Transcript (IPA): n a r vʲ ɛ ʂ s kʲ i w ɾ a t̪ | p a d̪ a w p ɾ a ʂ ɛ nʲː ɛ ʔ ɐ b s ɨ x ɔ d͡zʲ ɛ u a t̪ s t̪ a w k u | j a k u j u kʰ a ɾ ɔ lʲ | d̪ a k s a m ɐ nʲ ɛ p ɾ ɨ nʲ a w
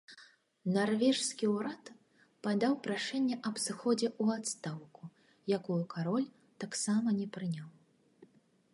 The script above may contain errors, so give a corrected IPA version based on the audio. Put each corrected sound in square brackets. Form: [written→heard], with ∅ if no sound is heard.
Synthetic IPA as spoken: n a r vʲ ɛ ʂ s kʲ i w ɾ a t̪ | p a d̪ a w p ɾ a ʂ ɛ nʲː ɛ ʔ ɐ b s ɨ x ɔ d͡zʲ ɛ u a t̪ s t̪ a w k u | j a k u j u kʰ a ɾ ɔ lʲ | [d̪→t̪] a k s a m ɐ nʲ ɛ p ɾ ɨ nʲ a w